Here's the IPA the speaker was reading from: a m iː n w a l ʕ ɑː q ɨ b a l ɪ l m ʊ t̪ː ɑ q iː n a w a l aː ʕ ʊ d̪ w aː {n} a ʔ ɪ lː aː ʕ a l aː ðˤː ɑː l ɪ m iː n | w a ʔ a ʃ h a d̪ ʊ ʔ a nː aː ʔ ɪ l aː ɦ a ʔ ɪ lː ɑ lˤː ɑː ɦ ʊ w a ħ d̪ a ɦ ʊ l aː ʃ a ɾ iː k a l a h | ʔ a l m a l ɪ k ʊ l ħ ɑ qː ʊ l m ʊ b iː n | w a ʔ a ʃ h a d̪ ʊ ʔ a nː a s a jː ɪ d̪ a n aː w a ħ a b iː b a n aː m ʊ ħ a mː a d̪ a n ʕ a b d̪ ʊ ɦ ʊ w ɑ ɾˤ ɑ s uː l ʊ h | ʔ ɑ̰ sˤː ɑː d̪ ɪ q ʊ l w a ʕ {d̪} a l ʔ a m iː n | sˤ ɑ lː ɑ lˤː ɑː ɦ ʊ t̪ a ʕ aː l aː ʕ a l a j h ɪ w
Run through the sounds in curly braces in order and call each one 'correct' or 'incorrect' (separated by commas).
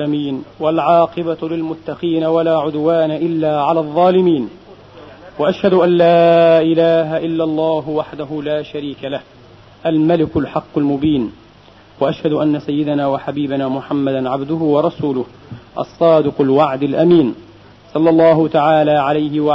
correct, correct